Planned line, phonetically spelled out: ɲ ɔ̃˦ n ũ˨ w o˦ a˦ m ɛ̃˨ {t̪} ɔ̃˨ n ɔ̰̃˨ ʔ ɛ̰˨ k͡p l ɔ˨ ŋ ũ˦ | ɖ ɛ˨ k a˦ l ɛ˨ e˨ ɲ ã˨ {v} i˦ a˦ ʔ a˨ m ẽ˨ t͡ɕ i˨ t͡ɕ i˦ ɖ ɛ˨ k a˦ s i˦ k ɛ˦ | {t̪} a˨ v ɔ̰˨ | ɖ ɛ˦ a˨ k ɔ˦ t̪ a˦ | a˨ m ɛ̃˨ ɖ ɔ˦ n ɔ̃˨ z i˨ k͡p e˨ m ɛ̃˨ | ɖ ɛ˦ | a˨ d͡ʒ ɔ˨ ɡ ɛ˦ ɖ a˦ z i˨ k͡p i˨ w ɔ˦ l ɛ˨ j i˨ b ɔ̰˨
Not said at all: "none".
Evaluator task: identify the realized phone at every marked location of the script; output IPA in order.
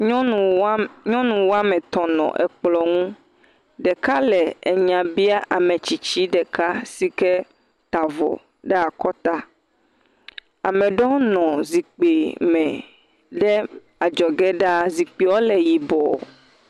t̪, b, t̪

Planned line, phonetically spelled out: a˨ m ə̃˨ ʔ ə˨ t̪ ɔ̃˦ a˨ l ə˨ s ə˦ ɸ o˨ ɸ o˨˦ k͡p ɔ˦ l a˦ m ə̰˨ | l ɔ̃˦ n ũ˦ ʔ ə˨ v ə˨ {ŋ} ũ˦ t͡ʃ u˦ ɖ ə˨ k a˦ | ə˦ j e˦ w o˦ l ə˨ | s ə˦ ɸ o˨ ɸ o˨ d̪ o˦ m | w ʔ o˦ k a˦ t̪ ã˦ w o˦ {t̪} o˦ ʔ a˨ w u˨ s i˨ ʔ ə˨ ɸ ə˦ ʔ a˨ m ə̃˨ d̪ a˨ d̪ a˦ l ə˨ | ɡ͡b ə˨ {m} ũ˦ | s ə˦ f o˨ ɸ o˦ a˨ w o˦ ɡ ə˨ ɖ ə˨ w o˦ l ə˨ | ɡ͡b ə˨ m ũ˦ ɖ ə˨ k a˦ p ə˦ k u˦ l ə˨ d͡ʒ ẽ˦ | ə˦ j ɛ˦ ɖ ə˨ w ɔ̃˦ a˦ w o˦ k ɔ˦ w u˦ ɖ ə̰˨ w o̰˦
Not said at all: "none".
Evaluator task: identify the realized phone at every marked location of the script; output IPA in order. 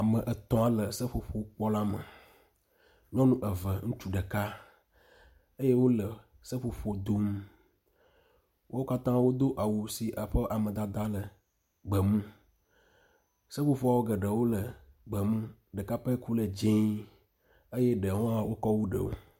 ŋ, d̪, m

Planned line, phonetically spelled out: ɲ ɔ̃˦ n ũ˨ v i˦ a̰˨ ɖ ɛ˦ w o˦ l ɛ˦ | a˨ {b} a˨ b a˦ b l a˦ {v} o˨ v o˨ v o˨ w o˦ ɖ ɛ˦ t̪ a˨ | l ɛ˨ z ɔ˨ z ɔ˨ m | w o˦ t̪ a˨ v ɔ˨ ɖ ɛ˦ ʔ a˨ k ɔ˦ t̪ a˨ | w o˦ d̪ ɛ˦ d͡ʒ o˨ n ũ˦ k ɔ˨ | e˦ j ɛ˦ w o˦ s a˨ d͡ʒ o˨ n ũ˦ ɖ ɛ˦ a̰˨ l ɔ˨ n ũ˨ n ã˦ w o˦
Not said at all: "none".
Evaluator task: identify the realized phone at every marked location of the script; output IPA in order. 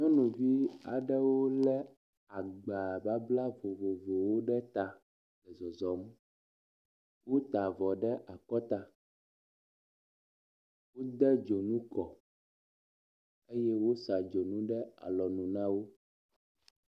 ɡ͡b, v

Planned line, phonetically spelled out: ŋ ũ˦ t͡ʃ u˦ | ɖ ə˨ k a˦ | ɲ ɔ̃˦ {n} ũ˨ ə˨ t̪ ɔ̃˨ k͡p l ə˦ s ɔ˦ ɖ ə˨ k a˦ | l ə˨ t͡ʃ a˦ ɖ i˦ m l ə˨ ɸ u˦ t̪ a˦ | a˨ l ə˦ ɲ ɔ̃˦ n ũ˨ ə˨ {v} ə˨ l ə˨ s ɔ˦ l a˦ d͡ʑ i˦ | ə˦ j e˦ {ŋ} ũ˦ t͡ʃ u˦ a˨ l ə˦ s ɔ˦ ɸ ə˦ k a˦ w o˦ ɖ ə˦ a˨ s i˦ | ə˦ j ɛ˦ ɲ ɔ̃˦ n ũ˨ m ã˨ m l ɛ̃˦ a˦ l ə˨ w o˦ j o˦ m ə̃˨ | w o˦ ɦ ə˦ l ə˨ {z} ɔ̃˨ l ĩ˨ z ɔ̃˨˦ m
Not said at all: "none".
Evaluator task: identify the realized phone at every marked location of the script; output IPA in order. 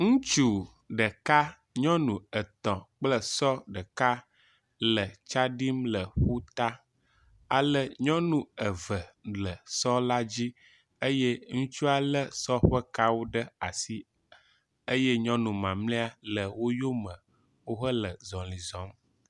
n, v, ŋ, z

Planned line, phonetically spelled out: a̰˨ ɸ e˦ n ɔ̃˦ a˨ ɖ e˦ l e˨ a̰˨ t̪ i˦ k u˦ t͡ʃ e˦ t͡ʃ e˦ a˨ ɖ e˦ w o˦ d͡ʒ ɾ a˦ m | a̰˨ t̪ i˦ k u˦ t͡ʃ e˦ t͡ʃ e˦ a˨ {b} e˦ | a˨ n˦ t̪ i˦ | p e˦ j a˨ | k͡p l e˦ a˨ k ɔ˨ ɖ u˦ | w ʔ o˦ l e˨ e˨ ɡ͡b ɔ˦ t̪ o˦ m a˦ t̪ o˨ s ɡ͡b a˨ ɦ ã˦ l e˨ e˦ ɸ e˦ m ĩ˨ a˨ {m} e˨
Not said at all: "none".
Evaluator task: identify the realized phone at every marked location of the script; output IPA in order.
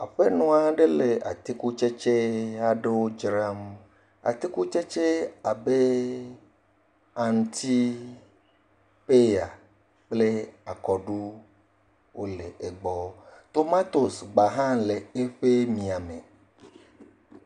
b, m

